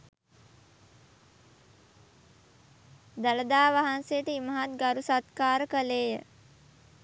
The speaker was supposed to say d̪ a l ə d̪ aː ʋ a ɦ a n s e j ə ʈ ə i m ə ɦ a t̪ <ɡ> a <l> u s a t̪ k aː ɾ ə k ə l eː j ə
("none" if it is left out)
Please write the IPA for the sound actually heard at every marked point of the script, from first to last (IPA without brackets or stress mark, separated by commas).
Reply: ɡ, ɾ